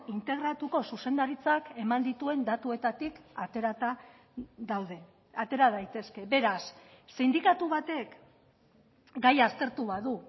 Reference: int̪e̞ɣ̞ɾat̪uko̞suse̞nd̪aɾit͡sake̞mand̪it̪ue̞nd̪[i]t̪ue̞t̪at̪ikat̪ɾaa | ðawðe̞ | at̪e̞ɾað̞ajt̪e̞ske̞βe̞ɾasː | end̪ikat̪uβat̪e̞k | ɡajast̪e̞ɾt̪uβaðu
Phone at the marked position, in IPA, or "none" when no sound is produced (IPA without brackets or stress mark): a